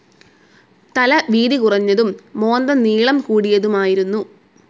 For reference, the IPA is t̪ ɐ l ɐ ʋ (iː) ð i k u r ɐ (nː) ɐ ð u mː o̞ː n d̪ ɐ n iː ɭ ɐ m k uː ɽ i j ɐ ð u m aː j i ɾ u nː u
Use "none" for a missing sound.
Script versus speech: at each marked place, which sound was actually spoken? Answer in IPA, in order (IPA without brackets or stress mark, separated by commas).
iː, ɲː